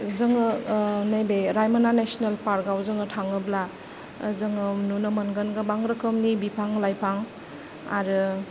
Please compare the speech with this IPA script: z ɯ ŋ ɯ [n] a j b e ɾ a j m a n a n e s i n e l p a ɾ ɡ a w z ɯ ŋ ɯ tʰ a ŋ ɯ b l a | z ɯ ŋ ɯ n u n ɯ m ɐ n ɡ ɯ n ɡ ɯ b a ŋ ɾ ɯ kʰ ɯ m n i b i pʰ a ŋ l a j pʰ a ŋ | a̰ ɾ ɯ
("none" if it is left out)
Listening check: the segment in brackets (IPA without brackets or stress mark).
n